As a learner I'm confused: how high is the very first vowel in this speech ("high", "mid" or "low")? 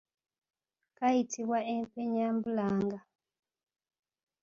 low